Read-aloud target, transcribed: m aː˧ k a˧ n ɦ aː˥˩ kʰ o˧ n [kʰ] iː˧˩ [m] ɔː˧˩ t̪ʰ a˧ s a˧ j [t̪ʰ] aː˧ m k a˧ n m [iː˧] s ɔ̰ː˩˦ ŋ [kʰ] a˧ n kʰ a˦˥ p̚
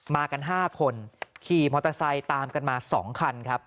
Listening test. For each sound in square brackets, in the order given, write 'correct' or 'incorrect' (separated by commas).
correct, correct, incorrect, incorrect, correct